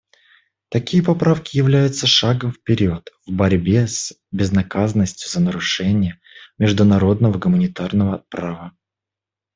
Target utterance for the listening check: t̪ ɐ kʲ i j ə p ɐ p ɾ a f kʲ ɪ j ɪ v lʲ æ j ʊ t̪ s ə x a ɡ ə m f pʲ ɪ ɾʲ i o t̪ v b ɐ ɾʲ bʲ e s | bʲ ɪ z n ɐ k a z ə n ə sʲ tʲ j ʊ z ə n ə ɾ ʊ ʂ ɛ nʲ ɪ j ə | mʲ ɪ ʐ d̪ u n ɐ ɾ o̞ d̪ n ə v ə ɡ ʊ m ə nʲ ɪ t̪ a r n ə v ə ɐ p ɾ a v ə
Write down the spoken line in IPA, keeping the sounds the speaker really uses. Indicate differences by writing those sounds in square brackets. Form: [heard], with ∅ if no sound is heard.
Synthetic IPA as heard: t̪ ɐ kʲ i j ə p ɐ p ɾ a f kʲ ɪ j ɪ v lʲ æ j ʊ t̪ s ə [ʂ] a ɡ ə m f pʲ ɪ ɾʲ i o t̪ v b ɐ ɾʲ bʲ e s | bʲ ɪ z n ɐ k a z ə n ə sʲ tʲ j ʊ z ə n ə ɾ ʊ ʂ ɛ nʲ ɪ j ə | mʲ ɪ ʐ d̪ [ʊ] n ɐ ɾ o̞ d̪ n ə v ə ɡ ʊ m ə nʲ ɪ t̪ a r n ə v ə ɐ p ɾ a v ə